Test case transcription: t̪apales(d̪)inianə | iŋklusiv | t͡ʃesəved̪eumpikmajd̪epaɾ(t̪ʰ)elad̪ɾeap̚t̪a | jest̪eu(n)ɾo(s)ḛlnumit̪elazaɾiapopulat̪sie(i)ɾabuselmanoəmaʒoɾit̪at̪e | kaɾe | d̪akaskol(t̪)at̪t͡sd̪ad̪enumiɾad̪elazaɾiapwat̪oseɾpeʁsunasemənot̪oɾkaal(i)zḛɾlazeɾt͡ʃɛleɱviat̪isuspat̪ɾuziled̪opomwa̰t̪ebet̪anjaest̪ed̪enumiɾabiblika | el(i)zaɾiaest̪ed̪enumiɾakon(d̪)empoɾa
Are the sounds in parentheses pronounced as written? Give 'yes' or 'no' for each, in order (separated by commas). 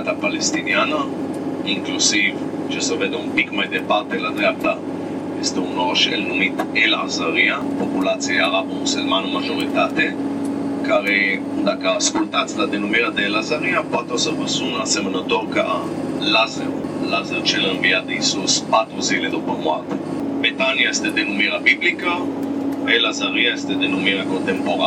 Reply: no, no, yes, no, no, yes, no, no, no